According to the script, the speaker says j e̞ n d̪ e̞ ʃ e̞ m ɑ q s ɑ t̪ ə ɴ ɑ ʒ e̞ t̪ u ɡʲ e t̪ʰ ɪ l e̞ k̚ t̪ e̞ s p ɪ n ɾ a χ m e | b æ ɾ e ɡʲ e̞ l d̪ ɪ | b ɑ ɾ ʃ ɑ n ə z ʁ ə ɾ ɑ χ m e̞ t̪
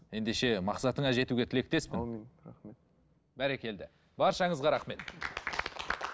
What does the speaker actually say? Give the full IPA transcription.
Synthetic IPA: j e̞ n d̪ e̞ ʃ e̞ m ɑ q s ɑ t̪ ə ɴ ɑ ʒ e̞ t̪ u ɡʲ e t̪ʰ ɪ l e̞ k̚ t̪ e̞ s p ɪ n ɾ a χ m e | b æ ɾ e kʲ e̞ l d̪ ɪ | b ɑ ɾ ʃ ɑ ɴ ə z ʁ ɑ ɾ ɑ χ m e̞ t̪